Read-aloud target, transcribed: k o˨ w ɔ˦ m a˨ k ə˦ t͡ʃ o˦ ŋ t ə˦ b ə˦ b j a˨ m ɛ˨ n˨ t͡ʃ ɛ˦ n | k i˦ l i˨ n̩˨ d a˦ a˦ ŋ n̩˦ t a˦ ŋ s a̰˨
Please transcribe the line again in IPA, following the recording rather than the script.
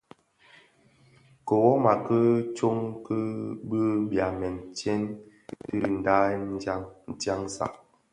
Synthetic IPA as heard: k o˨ w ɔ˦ m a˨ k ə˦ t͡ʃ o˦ ŋ k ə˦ b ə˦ b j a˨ m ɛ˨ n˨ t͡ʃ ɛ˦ n | t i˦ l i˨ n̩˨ d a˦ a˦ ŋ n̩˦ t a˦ ŋ s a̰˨